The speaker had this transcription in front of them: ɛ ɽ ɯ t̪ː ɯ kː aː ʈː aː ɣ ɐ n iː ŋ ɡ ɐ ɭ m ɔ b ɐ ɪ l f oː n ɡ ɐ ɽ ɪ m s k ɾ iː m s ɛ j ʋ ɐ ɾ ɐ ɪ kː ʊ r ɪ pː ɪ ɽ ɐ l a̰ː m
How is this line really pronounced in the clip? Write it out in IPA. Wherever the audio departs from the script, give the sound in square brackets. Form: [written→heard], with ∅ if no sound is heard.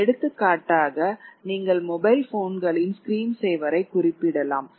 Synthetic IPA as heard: ɛ ɽ ɯ t̪ː ɯ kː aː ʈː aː ɣ ɐ n iː ŋ ɡ ɐ ɭ m ɔ b ɐ ɪ l f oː n ɡ ɐ [ɽ→ɭ] ɪ [m→n] s k ɾ iː m s ɛ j ʋ ɐ ɾ ɐ ɪ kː ʊ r ɪ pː ɪ ɽ ɐ l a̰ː m

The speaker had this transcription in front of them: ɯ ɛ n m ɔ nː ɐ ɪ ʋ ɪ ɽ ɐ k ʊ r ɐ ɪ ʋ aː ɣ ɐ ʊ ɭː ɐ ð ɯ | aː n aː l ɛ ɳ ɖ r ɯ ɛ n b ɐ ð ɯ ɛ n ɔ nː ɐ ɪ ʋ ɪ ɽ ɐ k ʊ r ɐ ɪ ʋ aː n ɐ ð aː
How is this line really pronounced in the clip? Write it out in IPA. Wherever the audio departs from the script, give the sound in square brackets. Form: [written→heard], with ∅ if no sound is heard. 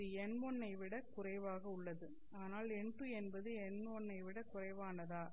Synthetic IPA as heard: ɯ ɛ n m ɔ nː ɐ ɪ ʋ ɪ ɽ ɐ k ʊ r ɐ ɪ ʋ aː ɣ ɐ ʊ ɭː ɐ ð ɯ | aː n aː l ɛ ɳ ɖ r ɯ ɛ n b ɐ ð ɯ ɛ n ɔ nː ɐ ɪ ʋ ɪ ɽ ɐ k ʊ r ɐ ɪ ʋ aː n ɐ ð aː

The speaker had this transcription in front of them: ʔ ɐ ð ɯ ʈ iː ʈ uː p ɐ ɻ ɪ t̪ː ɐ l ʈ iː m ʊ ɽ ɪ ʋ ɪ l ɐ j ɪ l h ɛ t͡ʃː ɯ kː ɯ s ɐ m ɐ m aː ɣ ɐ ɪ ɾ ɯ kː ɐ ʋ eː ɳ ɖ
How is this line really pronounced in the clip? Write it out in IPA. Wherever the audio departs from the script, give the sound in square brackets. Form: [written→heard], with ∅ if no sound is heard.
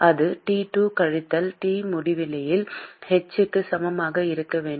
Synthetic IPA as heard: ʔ ɐ ð ɯ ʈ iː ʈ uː [p→k] ɐ ɻ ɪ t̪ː ɐ l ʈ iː m ʊ ɽ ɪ ʋ ɪ l ɐ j ɪ l h ɛ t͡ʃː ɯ kː ɯ s ɐ m ɐ m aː ɣ ɐ ɪ ɾ ɯ kː ɐ ʋ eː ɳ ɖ

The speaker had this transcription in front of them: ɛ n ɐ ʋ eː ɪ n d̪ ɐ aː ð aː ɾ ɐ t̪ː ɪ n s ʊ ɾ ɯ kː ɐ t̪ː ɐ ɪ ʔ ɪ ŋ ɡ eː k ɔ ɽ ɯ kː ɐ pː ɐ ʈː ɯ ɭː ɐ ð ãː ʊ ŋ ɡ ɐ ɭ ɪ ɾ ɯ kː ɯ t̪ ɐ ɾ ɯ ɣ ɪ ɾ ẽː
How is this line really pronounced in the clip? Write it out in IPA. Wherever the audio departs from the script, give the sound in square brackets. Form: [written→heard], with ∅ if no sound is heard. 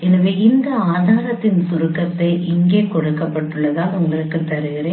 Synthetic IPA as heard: ɛ n ɐ ʋ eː ɪ n d̪ ɐ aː ð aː ɾ ɐ t̪ː ɪ n s ʊ ɾ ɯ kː ɐ t̪ː ɐ ɪ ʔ ɪ ŋ ɡ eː k ɔ ɽ ɯ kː ɐ pː ɐ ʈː ɯ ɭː ɐ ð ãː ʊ ŋ ɡ ɐ ɭ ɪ ɾ ɯ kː ɯ t̪ ɐ ɾ ɯ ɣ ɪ ɾ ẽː

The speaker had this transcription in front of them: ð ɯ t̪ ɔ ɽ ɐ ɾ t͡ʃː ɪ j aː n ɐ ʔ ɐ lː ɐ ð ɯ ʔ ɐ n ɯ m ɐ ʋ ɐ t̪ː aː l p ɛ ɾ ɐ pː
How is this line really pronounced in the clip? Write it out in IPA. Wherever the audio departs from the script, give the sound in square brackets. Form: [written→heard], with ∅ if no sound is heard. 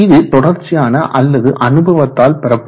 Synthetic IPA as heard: ð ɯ t̪ ɔ ɽ ɐ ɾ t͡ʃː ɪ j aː n ɐ ʔ ɐ lː ɐ ð ɯ ʔ ɐ n ɯ [m→b] ɐ ʋ ɐ t̪ː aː l p ɛ ɾ ɐ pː

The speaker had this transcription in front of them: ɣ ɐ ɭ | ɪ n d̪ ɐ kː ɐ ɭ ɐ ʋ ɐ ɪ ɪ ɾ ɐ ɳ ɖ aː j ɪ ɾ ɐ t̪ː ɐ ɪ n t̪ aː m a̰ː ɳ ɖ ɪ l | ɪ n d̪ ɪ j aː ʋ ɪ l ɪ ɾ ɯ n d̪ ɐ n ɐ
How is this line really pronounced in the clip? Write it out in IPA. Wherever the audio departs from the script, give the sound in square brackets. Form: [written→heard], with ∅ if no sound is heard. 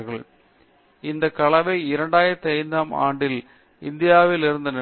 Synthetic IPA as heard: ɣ ɐ ɭ | ɪ n d̪ ɐ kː ɐ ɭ ɐ ʋ ɐ ɪ ɪ ɾ ɐ ɳ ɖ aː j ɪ ɾ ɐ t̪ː ɐ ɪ n [t̪→d̪] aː m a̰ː ɳ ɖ ɪ l | ɪ n d̪ ɪ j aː ʋ ɪ l ɪ ɾ ɯ n d̪ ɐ n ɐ

